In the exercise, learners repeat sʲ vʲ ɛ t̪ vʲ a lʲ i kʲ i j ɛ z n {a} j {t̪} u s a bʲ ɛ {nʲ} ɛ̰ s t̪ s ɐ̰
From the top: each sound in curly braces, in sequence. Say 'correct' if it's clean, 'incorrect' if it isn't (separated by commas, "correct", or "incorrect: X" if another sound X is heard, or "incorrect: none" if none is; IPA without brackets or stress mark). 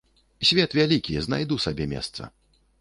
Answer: correct, incorrect: d̪, incorrect: mʲ